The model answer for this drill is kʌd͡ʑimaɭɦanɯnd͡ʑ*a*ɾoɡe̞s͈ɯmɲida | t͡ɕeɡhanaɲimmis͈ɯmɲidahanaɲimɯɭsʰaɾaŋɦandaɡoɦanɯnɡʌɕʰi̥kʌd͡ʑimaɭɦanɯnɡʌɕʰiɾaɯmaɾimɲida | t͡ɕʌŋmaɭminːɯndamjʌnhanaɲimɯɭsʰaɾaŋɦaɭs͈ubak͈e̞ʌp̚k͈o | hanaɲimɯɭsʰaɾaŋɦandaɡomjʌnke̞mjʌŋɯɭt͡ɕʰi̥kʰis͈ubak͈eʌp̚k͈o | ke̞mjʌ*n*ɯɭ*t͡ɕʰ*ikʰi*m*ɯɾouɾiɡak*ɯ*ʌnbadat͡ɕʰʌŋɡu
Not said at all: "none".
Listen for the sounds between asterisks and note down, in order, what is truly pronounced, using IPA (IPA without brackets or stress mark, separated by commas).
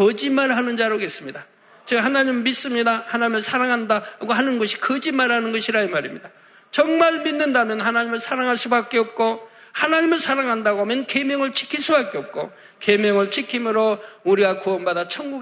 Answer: a, ŋ, t͡ɕʰ, m, u